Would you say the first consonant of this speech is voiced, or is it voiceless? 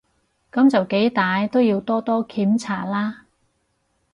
voiceless